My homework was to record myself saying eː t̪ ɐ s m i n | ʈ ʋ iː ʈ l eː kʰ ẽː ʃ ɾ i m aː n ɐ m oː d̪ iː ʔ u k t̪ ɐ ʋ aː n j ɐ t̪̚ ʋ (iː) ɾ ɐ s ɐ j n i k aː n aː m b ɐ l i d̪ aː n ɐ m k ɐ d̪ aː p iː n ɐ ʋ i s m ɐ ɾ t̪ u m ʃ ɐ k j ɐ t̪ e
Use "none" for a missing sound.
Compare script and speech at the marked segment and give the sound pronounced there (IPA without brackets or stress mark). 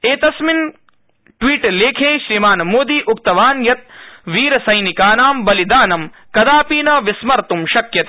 iː